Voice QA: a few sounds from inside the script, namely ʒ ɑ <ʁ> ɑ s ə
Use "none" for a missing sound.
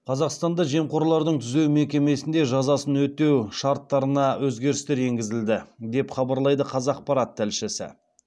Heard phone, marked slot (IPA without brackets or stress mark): z